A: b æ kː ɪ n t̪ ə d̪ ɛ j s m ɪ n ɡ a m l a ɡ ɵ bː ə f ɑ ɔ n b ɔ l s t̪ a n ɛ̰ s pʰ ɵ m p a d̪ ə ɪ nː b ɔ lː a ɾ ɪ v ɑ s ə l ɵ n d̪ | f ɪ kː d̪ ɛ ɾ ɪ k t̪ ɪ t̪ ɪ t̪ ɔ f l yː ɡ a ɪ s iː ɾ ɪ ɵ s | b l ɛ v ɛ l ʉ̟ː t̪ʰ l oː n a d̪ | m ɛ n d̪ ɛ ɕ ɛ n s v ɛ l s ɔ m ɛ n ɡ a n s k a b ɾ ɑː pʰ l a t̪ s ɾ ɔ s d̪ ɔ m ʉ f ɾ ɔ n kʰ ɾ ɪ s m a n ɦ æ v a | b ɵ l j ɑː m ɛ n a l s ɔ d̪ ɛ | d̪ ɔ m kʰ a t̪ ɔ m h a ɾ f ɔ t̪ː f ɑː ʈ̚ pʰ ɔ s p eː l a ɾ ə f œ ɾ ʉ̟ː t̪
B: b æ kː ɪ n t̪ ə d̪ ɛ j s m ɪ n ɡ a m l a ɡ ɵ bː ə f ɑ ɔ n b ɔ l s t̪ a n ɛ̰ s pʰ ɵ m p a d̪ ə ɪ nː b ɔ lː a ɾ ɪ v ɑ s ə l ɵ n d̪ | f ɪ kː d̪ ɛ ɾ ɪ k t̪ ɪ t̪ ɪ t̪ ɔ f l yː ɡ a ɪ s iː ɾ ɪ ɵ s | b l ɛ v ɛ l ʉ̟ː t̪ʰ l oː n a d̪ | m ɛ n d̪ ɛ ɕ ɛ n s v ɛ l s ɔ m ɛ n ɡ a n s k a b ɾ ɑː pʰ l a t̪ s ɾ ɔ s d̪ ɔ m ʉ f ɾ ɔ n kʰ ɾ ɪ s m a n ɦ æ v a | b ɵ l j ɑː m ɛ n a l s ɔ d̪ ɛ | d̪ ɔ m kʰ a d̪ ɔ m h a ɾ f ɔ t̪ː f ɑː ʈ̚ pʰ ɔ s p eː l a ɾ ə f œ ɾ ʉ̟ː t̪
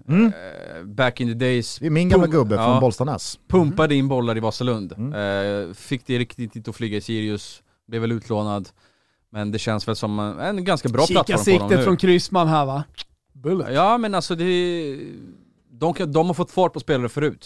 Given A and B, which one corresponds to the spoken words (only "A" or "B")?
B